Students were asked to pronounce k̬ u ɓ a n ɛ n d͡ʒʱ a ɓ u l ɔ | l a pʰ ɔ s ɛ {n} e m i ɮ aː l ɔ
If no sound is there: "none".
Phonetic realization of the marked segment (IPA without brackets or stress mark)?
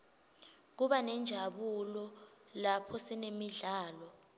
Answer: n